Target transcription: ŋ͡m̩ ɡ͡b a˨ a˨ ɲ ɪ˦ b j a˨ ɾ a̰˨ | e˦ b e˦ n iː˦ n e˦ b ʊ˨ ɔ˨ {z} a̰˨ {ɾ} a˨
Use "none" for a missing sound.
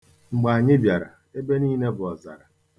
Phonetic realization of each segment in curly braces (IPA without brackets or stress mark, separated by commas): z, ɾ